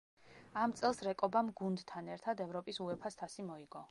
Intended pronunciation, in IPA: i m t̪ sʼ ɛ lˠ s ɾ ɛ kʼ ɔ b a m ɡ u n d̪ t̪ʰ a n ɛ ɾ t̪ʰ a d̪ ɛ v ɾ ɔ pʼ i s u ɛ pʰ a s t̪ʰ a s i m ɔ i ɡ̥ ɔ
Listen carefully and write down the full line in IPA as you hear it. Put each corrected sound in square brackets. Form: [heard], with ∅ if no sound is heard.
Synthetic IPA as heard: [a] m t̪ sʼ ɛ lˠ s ɾ ɛ kʼ ɔ b a m ɡ u n d̪ t̪ʰ a n ɛ ɾ t̪ʰ a d̪ ɛ v ɾ ɔ pʼ i s u ɛ pʰ a s t̪ʰ a s i m ɔ i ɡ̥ ɔ